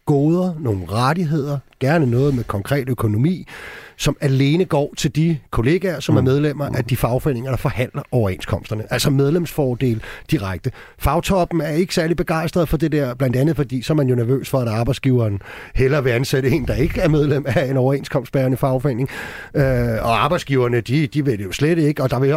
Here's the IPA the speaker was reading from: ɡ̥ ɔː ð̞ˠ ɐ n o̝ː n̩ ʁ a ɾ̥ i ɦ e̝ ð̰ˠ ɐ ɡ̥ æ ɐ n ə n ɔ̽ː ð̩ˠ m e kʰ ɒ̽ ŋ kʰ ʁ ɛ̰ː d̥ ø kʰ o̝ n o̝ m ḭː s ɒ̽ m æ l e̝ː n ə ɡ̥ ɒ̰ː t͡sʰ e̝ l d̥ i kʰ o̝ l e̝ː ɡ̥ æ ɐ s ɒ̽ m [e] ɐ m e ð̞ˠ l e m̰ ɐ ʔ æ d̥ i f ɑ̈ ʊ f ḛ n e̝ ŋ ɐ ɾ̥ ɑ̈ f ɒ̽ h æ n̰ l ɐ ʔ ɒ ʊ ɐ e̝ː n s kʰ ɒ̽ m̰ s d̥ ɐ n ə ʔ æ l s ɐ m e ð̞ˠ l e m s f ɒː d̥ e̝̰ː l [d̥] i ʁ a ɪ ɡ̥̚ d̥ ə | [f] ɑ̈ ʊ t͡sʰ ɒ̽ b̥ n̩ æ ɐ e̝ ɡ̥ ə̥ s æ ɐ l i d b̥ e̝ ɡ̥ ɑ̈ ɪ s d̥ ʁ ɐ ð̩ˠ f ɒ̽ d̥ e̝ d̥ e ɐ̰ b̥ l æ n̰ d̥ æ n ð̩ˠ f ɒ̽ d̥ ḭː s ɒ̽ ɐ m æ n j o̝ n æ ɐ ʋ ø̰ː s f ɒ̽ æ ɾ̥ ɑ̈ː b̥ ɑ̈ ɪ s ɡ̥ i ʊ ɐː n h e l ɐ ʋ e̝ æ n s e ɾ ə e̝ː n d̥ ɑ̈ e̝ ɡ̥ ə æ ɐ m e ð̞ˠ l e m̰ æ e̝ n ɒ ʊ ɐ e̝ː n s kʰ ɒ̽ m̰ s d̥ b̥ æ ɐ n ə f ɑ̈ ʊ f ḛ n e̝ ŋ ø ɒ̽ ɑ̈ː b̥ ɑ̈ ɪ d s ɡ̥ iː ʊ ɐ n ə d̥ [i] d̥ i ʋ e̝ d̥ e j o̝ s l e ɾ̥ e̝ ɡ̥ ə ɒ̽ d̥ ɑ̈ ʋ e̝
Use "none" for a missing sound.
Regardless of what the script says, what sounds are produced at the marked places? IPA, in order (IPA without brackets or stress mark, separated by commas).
æ, d̥, f, i